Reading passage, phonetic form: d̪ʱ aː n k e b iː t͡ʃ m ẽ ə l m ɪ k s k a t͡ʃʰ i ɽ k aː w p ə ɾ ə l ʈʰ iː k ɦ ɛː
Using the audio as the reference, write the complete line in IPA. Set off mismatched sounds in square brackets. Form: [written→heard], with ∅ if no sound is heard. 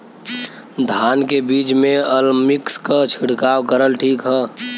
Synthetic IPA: d̪ʱ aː n k e b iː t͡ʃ m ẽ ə l m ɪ k s k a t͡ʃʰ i ɽ k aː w [p→k] ə ɾ ə l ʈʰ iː k ɦ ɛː

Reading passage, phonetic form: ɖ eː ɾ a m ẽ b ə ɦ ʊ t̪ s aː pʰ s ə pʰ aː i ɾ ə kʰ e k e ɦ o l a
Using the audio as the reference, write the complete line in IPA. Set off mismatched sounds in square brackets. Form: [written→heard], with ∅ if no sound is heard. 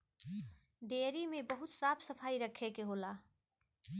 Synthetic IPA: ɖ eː ɾ [a→i] m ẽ b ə ɦ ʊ t̪ s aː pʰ s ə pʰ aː i ɾ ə kʰ e k e ɦ o l a

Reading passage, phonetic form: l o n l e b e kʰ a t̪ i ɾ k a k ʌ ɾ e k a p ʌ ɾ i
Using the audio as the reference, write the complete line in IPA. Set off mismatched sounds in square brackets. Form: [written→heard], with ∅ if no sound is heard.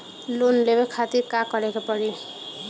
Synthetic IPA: l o n l e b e kʰ a t̪ i ɾ k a k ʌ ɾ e k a p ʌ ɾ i

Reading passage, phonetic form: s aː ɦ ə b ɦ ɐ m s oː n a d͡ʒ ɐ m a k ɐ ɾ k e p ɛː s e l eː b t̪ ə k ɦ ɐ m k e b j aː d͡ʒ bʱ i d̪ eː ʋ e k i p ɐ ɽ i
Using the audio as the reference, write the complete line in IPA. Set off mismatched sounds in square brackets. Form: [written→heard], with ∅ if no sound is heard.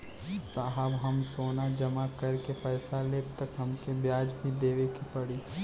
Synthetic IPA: s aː ɦ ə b ɦ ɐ m s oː n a d͡ʒ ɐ m a k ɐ ɾ k e p ɛː s [e→a] l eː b t̪ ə k ɦ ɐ m k e b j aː d͡ʒ bʱ i d̪ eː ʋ e k i p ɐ ɽ i

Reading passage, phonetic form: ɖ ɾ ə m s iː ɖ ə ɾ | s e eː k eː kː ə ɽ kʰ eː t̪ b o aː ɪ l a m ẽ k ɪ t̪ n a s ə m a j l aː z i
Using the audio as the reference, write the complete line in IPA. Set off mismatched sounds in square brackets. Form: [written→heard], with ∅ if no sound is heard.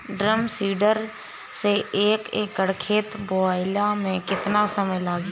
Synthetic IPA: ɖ ɾ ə m s iː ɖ ə ɾ | s e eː k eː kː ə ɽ kʰ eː t̪ b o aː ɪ l a m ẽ k ɪ t̪ n a s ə m [a→ə] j l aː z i

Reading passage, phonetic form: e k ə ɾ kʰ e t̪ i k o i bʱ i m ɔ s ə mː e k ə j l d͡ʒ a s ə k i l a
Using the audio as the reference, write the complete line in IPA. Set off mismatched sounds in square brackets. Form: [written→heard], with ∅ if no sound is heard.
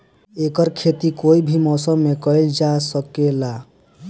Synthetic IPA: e k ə ɾ kʰ e t̪ i k o i bʱ i m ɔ s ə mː e k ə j l d͡ʒ a s ə k [i→e] l a

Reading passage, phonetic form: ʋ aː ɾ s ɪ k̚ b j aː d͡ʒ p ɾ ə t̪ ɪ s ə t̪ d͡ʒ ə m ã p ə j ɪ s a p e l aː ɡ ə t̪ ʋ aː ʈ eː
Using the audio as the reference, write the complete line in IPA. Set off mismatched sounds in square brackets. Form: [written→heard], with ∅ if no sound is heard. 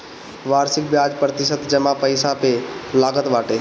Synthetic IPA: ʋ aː ɾ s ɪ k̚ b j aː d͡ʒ p ɾ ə t̪ ɪ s ə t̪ d͡ʒ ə m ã p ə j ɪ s a p e l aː ɡ ə t̪ ʋ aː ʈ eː

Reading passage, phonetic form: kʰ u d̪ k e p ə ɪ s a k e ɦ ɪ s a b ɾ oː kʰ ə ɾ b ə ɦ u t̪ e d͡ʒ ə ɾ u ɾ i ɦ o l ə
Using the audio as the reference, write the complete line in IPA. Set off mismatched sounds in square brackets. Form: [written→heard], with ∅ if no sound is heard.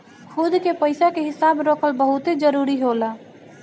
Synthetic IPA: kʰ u d̪ k e p ə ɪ s a k e ɦ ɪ s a b ɾ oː kʰ ə [ɾ→l] b ə ɦ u t̪ e d͡ʒ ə ɾ u ɾ i ɦ o l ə

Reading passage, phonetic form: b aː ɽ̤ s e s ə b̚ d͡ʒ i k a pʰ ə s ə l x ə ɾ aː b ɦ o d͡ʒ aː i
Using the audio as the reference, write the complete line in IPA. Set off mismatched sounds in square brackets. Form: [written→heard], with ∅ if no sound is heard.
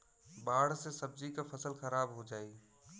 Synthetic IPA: b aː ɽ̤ s e s ə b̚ d͡ʒ i k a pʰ ə s ə l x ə ɾ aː b ɦ o d͡ʒ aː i

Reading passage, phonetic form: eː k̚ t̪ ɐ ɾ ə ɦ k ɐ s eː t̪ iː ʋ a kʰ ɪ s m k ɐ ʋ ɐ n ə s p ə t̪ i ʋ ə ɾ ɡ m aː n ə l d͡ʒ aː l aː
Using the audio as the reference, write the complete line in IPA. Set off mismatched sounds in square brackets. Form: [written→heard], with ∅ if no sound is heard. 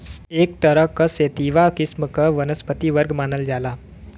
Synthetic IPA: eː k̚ t̪ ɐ ɾ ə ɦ k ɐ s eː t̪ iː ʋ a [kʰ→k] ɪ s m k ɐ ʋ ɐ n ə s p ə t̪ i ʋ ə ɾ ɡ m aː n ə l d͡ʒ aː l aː

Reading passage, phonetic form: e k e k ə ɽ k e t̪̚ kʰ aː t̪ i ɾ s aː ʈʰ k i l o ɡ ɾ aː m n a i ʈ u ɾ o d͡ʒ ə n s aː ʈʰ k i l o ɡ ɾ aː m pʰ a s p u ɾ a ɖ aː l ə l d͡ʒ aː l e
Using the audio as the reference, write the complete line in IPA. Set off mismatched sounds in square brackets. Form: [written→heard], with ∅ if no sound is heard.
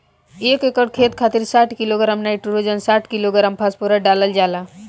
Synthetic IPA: e k e k ə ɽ [k→kʰ] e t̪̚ kʰ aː t̪ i ɾ s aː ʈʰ k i l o ɡ ɾ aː m n a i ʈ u ɾ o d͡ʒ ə n s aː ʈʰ k i l o ɡ ɾ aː m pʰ a s p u ɾ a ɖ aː l ə l d͡ʒ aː l [e→a]

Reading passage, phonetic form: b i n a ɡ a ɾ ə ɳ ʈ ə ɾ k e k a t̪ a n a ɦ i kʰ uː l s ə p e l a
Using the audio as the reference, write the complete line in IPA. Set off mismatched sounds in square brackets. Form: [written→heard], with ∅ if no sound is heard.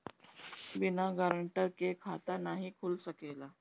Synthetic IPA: b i n a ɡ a ɾ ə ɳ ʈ ə ɾ k e [k→kʰ] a t̪ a n a ɦ i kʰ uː l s ə [p→k] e l a

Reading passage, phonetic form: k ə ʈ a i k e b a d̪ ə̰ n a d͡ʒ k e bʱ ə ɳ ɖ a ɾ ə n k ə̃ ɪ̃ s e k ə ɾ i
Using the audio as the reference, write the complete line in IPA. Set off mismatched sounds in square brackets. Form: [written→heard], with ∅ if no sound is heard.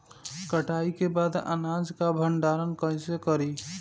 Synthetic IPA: k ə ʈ a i k e b a d̪ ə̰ n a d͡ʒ k [e→a] bʱ ə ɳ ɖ a ɾ ə n k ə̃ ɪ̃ s e k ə ɾ i

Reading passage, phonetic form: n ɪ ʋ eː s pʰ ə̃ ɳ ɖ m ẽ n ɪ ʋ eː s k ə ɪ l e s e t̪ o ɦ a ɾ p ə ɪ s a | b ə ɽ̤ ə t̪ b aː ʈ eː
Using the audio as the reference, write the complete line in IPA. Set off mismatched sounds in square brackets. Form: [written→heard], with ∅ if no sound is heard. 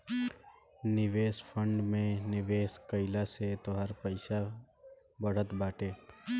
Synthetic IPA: n ɪ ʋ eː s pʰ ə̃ ɳ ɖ m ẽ n ɪ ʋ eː s k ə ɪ l [e→a] s e t̪ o ɦ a ɾ p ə ɪ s a | b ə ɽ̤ ə t̪ b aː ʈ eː

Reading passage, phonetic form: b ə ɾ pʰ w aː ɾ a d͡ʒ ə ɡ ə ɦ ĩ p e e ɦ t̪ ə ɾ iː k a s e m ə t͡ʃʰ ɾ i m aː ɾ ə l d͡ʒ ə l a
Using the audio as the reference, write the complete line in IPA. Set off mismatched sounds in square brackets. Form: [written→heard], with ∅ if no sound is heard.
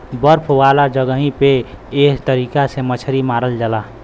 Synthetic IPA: b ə ɾ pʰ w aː [ɾ→l] a d͡ʒ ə ɡ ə ɦ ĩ p e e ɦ t̪ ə ɾ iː k a s e m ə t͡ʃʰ ɾ i m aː ɾ ə l d͡ʒ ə l a

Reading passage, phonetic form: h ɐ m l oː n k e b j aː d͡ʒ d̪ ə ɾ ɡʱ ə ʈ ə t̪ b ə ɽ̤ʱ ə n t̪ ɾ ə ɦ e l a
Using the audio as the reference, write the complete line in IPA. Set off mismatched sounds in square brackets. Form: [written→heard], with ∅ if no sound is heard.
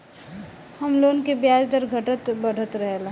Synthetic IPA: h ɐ m l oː n k e b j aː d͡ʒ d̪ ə ɾ ɡʱ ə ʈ ə t̪ b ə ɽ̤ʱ ə [n→∅] t̪ ɾ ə ɦ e l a

